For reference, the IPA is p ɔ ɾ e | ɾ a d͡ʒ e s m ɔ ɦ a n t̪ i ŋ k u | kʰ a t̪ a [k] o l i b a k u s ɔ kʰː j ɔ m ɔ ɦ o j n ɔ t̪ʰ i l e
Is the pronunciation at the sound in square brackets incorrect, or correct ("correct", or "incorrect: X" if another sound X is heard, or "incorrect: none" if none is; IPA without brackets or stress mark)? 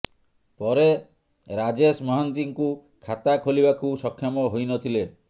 incorrect: kʰ